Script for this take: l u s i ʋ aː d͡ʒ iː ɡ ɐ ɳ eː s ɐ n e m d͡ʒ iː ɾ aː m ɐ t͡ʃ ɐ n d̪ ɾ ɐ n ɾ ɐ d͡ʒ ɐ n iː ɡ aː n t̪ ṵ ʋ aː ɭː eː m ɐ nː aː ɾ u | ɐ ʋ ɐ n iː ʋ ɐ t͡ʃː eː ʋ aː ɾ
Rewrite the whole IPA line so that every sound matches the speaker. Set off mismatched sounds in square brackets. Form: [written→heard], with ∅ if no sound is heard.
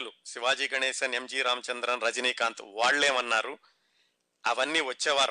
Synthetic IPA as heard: l u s i ʋ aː d͡ʒ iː ɡ ɐ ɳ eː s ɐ n e m d͡ʒ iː ɾ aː m ɐ t͡ʃ ɐ n d̪ ɾ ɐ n ɾ ɐ d͡ʒ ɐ n iː [ɡ→k] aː n t̪ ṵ ʋ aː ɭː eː m ɐ nː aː ɾ u | ɐ ʋ ɐ [n→nː] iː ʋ ɐ t͡ʃː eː ʋ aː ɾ